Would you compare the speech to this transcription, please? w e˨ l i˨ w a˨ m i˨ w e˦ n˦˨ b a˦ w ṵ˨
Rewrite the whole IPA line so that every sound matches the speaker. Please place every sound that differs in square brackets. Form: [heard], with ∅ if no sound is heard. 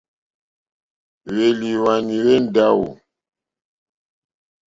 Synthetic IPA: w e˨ l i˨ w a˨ [n] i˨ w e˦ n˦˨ [d] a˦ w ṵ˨

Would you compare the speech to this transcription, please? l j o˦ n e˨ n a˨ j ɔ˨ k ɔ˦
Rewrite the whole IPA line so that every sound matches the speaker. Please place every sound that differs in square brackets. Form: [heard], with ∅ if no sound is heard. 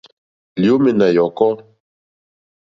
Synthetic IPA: l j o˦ [m] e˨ n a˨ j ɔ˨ k ɔ˦

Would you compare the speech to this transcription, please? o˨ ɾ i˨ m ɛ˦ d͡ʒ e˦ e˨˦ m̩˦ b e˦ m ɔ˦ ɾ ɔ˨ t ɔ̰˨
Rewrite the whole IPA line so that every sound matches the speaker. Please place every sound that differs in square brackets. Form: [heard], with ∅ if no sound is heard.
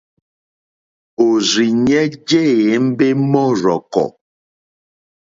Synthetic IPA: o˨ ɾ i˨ [ɲ] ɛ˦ d͡ʒ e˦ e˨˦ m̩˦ b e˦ m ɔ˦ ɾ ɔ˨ [k] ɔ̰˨

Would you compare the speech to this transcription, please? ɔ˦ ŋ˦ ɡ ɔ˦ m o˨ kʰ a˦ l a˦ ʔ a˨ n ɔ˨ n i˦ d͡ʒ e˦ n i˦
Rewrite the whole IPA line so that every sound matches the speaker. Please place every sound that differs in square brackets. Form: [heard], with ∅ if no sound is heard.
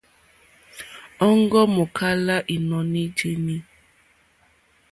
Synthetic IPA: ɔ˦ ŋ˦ ɡ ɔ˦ m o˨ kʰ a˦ l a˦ ʔ [i˨] n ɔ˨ n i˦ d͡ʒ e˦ n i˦

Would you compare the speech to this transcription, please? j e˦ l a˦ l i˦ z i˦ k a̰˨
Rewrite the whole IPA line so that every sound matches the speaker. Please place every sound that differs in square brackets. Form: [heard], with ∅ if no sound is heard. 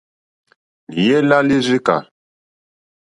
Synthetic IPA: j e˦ l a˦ l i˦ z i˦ k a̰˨

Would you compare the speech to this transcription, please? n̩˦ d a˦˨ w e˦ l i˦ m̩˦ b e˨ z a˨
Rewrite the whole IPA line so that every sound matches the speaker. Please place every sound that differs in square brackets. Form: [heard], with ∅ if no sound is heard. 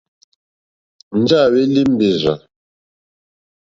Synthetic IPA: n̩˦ [d͡ʒ] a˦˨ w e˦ l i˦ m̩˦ b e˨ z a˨

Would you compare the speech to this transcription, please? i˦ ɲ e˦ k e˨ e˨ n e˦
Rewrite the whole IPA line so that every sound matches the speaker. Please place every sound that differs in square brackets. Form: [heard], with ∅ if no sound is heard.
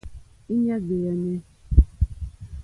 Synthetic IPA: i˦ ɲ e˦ [ɡ] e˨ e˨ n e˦

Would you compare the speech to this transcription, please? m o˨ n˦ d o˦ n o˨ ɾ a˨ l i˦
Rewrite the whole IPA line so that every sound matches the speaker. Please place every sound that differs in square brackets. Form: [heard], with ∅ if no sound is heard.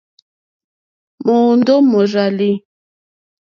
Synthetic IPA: m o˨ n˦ d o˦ [m] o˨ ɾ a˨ l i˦

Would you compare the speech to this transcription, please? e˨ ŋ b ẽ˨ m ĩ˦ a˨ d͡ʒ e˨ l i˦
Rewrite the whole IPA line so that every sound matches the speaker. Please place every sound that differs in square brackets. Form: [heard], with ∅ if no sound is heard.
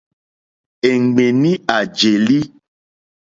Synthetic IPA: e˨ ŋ [ɡ͡b] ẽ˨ [n] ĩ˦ a˨ d͡ʒ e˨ l i˦

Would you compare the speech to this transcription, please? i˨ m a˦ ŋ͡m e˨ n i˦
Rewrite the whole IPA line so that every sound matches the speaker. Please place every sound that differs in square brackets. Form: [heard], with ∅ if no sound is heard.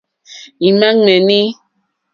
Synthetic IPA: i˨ m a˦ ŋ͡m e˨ n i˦

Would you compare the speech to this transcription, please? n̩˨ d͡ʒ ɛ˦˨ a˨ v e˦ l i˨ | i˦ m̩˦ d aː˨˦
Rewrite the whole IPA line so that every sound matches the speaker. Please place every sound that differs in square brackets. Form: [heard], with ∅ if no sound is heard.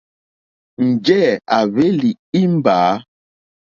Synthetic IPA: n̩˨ d͡ʒ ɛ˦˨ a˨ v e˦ l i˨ | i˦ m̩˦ [b] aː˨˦

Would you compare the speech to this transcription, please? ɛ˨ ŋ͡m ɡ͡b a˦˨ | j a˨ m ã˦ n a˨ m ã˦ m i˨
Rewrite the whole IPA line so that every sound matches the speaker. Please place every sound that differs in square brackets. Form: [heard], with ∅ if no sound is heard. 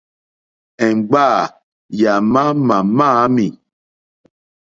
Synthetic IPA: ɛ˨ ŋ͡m ɡ͡b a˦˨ | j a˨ m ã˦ [m] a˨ m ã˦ m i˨

